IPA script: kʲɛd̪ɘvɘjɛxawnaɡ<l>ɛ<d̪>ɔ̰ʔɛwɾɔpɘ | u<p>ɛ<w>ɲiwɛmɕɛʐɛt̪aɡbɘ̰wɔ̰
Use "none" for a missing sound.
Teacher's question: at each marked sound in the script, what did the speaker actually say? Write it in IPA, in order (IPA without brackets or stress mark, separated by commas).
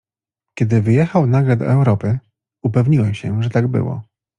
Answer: l, d̪, p, v